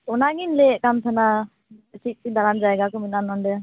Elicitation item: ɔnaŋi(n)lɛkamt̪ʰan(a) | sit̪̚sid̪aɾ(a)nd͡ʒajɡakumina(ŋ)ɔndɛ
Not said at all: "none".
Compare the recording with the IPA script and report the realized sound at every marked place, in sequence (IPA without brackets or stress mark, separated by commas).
n, a, a, n